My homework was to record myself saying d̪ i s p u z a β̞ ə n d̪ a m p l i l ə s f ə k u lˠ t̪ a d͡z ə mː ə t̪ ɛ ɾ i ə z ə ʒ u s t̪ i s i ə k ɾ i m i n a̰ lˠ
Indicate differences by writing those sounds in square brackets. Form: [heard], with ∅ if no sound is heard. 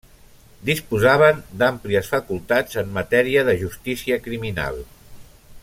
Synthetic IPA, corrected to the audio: d̪ i s p u z a β̞ ə n d̪ a m p l i [∅] ə s f ə k u lˠ t̪ a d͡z ə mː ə t̪ ɛ ɾ i ə [ð] ə ʒ u s t̪ i s i ə k ɾ i m i n a̰ lˠ